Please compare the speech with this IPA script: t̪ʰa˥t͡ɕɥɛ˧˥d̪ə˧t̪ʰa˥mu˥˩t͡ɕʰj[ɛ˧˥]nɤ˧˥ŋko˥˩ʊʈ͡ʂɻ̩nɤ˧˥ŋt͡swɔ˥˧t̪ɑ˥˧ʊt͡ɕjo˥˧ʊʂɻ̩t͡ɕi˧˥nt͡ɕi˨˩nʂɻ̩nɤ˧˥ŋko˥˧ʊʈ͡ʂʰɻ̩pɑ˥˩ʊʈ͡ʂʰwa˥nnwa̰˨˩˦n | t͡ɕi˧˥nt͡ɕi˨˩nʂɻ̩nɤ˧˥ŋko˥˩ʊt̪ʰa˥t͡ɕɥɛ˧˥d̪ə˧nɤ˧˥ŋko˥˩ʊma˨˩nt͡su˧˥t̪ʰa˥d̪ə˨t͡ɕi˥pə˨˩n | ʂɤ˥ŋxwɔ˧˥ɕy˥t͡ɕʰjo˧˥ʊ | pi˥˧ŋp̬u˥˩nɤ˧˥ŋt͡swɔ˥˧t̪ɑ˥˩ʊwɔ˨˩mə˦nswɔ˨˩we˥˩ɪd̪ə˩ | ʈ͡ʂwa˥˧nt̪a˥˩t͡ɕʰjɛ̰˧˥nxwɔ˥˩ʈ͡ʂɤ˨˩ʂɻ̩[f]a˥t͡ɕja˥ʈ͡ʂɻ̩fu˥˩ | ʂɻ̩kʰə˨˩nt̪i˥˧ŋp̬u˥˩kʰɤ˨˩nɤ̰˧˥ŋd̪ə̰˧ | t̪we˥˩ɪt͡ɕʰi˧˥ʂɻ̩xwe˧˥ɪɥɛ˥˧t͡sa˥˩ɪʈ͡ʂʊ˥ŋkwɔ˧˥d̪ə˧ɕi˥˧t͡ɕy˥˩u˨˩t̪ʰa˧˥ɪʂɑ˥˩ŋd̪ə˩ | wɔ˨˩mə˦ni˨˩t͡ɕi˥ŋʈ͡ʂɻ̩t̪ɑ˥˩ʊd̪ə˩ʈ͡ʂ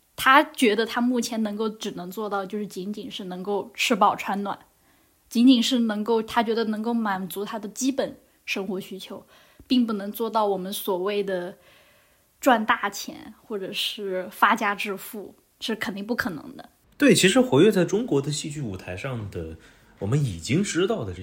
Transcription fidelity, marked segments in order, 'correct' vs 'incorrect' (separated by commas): correct, correct